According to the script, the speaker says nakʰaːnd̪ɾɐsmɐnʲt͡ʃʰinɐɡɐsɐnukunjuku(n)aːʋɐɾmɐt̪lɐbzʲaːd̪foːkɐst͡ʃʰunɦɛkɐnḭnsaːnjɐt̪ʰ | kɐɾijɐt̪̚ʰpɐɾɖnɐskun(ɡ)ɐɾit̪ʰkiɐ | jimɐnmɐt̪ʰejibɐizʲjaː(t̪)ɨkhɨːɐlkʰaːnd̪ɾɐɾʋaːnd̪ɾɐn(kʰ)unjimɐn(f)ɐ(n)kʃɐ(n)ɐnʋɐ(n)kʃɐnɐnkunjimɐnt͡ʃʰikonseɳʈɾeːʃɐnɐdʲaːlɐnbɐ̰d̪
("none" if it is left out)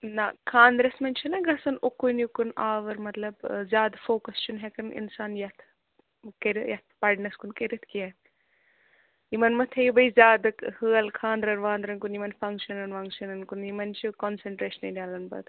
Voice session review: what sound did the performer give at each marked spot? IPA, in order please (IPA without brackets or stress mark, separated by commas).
n, k, d̪, k, f, ŋ, n, ŋ